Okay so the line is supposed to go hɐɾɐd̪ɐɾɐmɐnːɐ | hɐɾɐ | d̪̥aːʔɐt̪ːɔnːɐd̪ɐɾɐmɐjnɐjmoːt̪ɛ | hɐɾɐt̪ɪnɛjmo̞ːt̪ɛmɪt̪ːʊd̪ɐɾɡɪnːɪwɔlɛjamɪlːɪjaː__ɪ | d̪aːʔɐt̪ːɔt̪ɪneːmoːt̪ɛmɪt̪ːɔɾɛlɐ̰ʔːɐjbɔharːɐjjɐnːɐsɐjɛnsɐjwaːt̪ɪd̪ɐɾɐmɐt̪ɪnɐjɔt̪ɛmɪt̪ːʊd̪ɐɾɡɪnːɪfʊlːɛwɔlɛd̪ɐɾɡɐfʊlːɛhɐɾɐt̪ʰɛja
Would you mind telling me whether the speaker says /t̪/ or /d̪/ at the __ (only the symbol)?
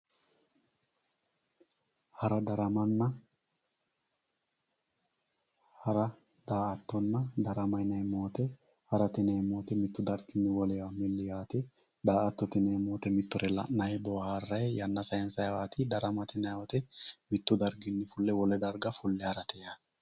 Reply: t̪